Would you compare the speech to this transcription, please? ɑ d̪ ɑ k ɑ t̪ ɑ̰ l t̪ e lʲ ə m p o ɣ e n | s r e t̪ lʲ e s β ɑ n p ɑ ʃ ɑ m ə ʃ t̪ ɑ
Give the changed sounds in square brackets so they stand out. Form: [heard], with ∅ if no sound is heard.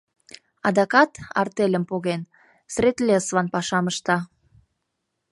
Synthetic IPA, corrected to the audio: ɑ d̪ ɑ k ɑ t̪ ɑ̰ [r] t̪ e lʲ ə m p o ɣ e n | s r e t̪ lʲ e s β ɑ n p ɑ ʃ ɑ m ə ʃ t̪ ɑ